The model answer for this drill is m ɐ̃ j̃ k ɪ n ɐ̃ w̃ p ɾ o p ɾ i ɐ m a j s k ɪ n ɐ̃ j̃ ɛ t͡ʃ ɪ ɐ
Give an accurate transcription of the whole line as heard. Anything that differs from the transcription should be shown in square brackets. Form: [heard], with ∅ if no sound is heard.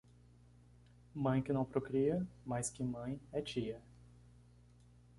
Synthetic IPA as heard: m ɐ̃ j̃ k ɪ n ɐ̃ w̃ p ɾ o [k] ɾ i ɐ m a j s k ɪ [m] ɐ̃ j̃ ɛ t͡ʃ [i] ɐ

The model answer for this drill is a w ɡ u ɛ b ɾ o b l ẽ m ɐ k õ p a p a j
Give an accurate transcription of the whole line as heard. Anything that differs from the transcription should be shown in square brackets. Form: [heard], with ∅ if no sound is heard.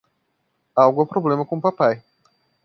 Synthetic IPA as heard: a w ɡ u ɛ [p] ɾ o b l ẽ m ɐ k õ p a p a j

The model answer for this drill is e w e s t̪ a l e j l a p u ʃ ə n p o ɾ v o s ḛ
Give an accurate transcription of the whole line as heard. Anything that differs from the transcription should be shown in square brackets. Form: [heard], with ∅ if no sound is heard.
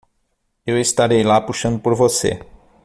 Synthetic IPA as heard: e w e s t̪ a [ɾ] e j l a p u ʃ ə n p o ɾ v o s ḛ

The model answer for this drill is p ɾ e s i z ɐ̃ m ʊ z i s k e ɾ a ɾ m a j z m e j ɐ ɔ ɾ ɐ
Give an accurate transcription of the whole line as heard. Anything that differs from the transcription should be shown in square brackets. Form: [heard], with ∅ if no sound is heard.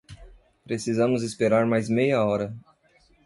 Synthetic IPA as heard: p ɾ e s i z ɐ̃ m ʊ z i s [p] e ɾ a ɾ m a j z m e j ɐ ɔ ɾ ɐ

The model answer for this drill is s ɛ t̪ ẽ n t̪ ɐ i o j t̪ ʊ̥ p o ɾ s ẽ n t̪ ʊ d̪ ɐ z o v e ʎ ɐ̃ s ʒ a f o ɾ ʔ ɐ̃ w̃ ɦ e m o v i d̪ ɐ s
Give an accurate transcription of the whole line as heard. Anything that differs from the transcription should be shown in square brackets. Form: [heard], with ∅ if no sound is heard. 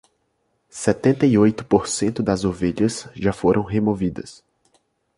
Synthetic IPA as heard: s ɛ t̪ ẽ n t̪ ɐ i o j t̪ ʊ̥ p o ɾ s ẽ n t̪ ʊ d̪ ɐ z o v e ʎ [ɐ] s ʒ a f o ɾ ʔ ɐ̃ w̃ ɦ e m o v i d̪ ɐ s

